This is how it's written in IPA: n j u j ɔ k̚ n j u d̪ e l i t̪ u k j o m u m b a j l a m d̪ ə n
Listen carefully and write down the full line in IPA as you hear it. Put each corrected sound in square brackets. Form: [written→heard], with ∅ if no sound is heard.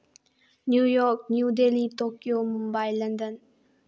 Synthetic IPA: n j u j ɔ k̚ n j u d̪ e l i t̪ [u→o] k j o m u m b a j l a [m→n] d̪ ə n